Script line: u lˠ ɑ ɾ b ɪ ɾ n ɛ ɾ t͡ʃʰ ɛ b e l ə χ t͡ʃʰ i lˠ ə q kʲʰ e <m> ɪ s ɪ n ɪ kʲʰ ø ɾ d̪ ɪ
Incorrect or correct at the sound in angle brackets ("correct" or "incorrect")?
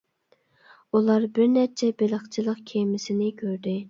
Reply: correct